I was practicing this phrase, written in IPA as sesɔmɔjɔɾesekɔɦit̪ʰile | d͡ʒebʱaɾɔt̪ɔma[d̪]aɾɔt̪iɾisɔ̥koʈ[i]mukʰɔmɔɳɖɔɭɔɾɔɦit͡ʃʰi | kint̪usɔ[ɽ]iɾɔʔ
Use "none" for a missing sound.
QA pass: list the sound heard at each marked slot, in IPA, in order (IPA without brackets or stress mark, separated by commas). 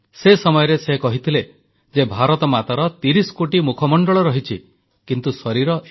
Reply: t̪, i, ɾ